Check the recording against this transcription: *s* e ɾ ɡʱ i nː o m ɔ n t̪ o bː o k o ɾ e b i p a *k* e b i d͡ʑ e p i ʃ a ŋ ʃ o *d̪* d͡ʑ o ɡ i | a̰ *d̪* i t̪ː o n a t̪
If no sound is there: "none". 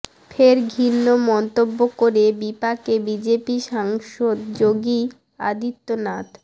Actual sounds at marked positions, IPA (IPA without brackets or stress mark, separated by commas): f, k, d̪, d̪